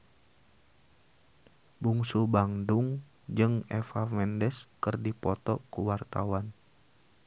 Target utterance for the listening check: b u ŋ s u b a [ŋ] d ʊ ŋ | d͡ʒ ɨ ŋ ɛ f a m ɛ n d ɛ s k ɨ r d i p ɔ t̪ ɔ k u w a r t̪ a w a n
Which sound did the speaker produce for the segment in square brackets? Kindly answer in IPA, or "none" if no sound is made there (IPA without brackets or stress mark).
ŋ